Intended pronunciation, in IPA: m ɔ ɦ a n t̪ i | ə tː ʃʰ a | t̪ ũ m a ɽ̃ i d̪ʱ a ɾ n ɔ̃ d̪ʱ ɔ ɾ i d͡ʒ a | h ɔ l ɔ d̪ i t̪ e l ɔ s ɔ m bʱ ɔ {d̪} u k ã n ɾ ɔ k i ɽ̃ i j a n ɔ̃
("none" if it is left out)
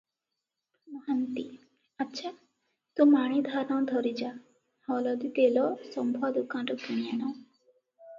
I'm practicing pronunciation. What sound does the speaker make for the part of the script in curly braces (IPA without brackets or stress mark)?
d̪